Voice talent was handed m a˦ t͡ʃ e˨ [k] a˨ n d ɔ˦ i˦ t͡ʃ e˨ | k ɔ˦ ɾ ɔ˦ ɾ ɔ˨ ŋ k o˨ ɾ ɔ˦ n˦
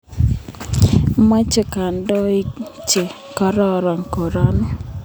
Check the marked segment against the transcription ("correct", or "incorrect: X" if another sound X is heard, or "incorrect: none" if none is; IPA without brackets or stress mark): correct